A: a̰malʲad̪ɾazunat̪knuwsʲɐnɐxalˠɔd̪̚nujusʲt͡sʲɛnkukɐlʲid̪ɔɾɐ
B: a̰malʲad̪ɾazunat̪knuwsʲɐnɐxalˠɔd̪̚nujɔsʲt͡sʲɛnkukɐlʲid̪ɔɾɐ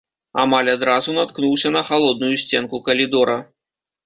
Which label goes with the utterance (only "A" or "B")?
A